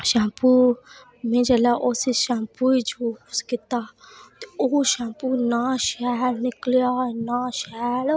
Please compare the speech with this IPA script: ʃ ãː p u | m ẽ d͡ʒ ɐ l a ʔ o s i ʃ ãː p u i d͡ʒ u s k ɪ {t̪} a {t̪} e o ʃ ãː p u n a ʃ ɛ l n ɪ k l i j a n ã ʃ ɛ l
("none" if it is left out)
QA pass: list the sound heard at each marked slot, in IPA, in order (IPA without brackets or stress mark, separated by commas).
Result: t̪, t̪